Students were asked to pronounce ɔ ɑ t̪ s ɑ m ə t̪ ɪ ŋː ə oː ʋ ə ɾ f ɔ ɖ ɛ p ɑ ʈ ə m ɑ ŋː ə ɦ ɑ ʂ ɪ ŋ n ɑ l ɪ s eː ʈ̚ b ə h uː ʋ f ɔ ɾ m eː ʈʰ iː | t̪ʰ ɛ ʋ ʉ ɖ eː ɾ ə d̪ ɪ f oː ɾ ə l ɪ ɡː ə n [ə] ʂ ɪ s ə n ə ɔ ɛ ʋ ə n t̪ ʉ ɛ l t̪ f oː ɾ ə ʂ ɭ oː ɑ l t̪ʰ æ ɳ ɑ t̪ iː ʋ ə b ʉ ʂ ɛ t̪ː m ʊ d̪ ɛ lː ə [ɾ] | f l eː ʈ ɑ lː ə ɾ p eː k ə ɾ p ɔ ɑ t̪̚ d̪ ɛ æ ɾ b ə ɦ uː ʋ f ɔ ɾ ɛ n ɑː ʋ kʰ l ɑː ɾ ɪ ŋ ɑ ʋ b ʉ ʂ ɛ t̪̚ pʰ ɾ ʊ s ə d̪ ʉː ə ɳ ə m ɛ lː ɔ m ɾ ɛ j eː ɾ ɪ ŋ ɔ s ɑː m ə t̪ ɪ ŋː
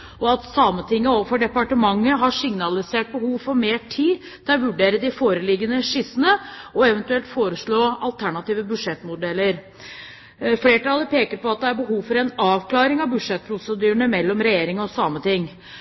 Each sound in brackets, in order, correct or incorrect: correct, correct

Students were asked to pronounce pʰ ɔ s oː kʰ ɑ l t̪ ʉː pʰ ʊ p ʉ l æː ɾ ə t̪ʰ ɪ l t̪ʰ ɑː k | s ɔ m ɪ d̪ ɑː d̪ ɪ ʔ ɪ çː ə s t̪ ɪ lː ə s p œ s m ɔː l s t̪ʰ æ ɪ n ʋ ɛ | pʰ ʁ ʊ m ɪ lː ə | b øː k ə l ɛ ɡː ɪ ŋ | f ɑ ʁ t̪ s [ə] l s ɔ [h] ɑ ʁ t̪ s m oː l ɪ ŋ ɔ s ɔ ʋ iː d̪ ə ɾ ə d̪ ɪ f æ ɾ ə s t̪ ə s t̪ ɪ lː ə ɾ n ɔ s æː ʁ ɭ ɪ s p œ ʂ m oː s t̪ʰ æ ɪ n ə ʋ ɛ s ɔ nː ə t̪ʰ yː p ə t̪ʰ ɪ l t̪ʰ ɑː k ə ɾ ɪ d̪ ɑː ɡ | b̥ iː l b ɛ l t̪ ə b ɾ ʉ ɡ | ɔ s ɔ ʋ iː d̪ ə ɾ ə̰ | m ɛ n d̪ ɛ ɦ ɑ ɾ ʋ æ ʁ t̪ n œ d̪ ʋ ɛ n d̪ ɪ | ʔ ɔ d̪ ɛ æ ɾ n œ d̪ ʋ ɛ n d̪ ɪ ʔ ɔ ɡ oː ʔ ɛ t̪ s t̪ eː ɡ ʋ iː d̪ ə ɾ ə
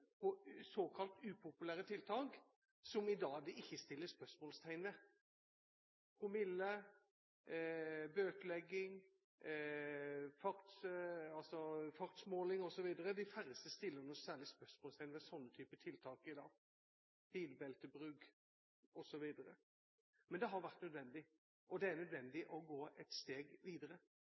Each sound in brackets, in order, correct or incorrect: incorrect: ɑ, incorrect: f

